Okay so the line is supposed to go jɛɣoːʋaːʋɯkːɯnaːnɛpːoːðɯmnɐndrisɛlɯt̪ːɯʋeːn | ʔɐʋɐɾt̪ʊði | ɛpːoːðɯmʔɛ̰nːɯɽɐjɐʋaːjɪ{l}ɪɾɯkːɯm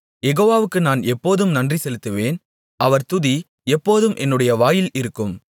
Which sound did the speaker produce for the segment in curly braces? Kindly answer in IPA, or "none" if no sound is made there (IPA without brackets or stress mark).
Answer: l